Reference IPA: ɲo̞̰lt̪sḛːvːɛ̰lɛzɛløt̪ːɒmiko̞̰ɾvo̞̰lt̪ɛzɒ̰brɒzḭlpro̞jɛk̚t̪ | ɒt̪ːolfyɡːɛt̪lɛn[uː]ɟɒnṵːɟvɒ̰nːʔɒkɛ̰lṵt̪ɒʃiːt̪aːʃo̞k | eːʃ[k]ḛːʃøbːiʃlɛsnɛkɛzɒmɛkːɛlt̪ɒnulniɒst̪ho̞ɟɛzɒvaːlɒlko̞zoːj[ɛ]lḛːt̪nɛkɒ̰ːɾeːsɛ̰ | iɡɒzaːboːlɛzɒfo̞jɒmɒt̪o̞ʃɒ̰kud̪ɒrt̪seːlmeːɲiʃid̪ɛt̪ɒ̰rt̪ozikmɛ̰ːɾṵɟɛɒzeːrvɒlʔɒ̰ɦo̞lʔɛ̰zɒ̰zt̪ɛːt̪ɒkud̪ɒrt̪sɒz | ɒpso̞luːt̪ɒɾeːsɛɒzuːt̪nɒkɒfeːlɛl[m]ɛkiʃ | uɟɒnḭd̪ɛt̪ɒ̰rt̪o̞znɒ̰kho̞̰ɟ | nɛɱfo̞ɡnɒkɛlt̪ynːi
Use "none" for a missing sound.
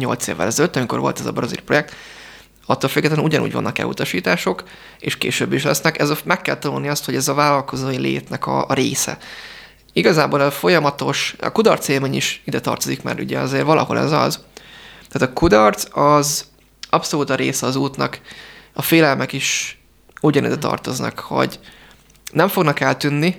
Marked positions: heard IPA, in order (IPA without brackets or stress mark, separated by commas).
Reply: u, k, i, m